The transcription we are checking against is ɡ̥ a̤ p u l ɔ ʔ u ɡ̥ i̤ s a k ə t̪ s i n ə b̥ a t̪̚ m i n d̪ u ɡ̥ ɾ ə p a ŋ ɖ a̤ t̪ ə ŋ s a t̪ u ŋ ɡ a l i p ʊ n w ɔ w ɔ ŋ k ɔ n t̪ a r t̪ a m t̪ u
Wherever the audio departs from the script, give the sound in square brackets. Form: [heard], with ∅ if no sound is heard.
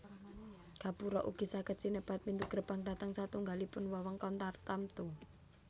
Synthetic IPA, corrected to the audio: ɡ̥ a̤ p u [ɾ] ɔ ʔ u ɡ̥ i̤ s a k ə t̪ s i n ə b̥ a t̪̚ m i n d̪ u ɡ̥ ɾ ə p a ŋ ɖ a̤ t̪ ə ŋ s a t̪ u ŋ ɡ a l i p ʊ n w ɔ w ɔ ŋ k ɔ n t̪ a r t̪ a m t̪ u